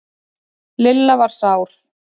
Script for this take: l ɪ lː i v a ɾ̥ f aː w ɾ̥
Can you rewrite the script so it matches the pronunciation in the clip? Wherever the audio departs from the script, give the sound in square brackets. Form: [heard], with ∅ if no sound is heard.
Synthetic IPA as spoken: l ɪ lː [a] v a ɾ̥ [s] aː w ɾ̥